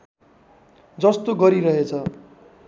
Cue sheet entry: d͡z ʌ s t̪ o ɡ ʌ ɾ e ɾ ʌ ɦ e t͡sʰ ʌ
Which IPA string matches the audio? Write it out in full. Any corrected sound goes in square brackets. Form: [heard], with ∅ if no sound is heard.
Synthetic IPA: d͡z ʌ s t̪ o ɡ ʌ ɾ [i] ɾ ʌ ɦ e t͡sʰ ʌ